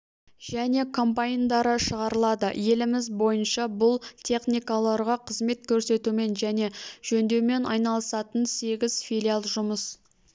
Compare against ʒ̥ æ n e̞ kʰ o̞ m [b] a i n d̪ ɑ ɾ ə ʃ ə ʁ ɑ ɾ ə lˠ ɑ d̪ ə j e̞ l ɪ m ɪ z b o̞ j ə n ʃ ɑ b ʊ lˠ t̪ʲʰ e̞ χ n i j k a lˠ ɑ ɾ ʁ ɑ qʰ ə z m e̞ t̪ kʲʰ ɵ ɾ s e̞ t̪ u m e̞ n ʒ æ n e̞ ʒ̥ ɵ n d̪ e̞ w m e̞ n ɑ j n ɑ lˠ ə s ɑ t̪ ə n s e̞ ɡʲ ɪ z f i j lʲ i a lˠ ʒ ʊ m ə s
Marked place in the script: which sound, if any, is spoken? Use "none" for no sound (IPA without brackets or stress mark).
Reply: p